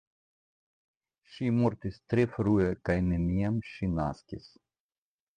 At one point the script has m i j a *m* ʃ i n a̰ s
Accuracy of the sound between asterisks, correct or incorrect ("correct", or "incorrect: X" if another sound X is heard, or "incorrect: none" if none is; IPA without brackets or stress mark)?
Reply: correct